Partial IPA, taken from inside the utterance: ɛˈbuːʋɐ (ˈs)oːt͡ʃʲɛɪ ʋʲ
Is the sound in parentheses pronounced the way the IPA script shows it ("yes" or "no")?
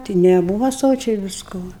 yes